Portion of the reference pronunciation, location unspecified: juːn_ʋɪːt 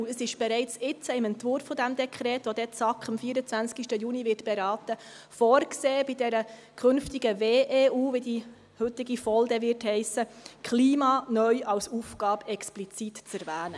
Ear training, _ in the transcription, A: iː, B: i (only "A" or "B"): B